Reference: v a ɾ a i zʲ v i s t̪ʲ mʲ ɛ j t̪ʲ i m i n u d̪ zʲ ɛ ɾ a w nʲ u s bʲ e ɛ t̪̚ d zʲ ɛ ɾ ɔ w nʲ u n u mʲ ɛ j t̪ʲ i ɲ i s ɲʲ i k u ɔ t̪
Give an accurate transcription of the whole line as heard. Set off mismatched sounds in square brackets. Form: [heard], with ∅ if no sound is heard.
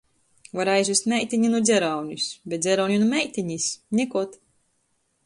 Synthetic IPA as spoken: v a ɾ a [j] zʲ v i s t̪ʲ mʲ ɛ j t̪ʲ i [ɲ] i n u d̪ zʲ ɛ ɾ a w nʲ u s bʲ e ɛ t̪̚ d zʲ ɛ ɾ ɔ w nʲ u n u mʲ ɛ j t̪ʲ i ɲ i s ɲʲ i k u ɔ t̪